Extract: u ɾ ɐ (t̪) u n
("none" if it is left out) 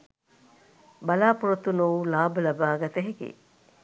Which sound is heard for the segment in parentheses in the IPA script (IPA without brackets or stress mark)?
t̪